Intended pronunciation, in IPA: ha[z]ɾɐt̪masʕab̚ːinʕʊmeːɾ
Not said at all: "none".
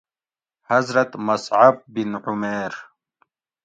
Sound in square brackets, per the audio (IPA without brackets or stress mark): z